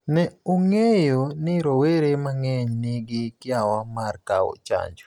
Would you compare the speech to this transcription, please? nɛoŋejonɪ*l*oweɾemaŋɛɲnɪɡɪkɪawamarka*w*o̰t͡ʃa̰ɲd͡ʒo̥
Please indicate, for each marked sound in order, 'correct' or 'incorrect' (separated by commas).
incorrect, correct